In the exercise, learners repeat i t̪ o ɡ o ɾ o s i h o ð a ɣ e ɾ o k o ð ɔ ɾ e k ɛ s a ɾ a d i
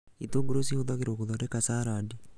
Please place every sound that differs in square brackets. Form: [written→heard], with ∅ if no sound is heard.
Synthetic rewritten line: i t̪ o ɡ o ɾ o s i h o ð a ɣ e ɾ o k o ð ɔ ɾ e k [ɛ→a] s a ɾ a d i